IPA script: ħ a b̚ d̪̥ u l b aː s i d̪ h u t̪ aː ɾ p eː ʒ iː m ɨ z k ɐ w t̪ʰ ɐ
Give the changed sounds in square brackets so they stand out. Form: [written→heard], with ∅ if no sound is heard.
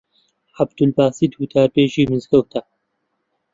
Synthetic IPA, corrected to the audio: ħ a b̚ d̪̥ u l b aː s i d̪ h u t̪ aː ɾ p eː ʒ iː m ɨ z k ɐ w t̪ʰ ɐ